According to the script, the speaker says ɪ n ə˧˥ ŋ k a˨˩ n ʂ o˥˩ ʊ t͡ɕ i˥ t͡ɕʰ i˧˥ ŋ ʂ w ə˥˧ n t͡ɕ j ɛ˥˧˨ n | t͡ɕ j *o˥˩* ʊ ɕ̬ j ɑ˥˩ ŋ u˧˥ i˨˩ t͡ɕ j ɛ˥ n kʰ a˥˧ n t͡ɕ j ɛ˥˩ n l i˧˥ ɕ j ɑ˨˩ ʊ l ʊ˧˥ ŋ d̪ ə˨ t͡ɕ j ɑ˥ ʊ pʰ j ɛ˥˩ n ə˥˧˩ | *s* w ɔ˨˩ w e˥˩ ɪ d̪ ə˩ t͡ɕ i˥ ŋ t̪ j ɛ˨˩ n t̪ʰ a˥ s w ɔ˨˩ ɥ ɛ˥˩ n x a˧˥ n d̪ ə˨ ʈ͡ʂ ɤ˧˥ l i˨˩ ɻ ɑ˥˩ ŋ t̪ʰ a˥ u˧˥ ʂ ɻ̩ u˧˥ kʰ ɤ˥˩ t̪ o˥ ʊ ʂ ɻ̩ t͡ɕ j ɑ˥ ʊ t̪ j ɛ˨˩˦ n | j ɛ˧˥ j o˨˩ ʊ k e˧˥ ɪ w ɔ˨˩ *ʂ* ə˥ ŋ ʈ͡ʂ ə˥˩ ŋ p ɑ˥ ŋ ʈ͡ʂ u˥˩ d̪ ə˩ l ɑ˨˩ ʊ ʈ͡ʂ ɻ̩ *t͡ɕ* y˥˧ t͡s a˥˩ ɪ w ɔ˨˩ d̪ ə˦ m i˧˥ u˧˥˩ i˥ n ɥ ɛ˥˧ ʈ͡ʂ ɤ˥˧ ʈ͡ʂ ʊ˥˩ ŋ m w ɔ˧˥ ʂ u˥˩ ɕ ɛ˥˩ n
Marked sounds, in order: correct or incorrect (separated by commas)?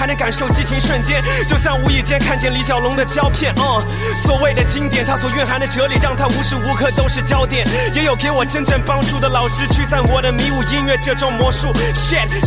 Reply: incorrect, correct, incorrect, incorrect